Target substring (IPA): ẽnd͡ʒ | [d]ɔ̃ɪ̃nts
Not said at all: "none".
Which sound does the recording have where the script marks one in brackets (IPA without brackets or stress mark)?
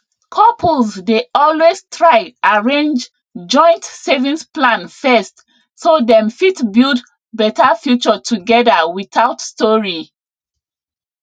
d͡ʒ